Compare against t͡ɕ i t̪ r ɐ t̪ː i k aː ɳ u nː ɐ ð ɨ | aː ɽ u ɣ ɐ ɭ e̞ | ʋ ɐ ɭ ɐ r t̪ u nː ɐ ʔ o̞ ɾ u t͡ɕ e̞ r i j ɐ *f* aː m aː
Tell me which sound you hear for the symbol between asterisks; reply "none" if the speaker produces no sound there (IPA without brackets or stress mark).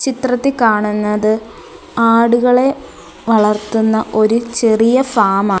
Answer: f